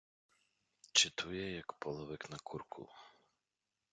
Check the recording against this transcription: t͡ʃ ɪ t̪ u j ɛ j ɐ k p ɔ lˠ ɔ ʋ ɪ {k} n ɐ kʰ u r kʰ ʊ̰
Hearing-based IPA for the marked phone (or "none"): k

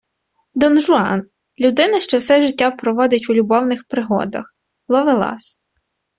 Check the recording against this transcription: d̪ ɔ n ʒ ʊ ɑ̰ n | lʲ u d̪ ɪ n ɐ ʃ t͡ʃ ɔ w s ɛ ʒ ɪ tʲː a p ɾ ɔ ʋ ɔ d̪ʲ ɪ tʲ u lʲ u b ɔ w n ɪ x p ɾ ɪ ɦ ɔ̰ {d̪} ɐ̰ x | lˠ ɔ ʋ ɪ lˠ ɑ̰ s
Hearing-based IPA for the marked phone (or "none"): d̪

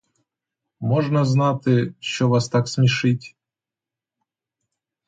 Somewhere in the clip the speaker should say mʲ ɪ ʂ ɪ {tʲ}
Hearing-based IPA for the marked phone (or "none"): tʲ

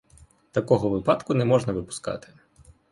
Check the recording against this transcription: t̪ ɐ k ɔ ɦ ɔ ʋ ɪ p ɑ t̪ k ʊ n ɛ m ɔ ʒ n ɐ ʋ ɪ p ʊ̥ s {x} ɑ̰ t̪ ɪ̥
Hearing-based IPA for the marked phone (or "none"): k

